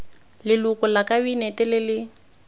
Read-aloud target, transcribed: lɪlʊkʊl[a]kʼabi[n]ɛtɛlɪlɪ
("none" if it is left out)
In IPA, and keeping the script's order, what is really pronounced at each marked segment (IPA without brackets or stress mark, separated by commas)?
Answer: a, n